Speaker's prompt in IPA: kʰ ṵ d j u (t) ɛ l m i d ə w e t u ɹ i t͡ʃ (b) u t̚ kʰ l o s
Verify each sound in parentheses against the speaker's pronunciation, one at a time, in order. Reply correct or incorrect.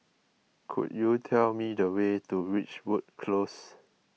incorrect: tʰ, incorrect: w

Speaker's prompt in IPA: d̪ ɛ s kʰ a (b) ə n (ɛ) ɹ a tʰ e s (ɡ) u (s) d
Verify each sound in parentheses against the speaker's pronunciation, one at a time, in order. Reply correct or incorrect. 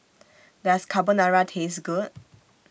correct, incorrect: a, correct, incorrect: none

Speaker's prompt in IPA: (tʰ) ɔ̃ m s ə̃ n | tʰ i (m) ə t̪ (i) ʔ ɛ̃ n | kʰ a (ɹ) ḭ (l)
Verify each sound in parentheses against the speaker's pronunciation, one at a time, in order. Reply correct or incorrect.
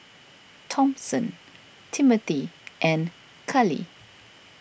correct, correct, correct, incorrect: l, incorrect: none

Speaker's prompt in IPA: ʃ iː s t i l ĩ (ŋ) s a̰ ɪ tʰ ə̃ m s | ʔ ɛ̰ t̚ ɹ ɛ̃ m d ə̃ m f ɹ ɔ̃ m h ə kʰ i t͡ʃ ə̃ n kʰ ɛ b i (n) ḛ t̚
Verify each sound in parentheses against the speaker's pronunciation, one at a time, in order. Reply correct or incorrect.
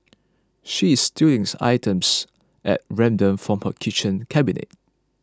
correct, correct

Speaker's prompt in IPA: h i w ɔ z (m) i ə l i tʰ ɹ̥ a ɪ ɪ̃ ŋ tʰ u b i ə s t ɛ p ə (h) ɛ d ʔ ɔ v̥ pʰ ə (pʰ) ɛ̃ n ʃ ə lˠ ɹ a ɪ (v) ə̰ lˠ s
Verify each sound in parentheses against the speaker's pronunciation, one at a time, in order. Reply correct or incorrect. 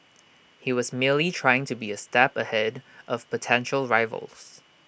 correct, correct, incorrect: tʰ, correct

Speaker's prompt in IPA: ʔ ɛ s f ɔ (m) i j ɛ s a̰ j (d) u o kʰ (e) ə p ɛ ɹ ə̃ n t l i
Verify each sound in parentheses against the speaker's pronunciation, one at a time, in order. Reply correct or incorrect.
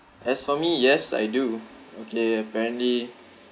correct, correct, correct

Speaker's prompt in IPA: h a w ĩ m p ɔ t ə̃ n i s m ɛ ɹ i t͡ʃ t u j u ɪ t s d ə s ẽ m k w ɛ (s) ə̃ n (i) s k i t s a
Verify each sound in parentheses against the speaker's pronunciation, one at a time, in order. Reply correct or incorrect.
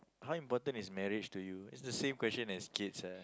correct, incorrect: ɛ

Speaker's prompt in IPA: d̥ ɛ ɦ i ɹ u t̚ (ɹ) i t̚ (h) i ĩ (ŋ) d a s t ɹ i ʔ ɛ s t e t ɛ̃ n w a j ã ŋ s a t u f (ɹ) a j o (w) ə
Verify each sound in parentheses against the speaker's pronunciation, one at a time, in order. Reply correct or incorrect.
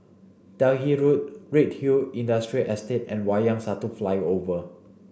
correct, correct, incorrect: n, incorrect: l, incorrect: v

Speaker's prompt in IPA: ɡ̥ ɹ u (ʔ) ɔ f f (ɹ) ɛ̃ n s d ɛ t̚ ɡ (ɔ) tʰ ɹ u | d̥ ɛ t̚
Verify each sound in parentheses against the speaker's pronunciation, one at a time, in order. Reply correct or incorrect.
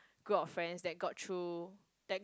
incorrect: p, correct, correct

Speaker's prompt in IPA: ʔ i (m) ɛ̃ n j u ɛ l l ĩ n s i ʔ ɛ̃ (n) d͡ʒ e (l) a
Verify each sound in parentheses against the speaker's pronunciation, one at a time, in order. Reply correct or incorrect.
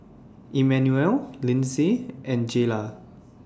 correct, correct, correct

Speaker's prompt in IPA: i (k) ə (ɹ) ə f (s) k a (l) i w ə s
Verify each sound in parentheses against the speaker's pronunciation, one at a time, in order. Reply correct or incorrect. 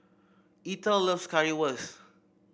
incorrect: t, incorrect: l, correct, incorrect: ɹ

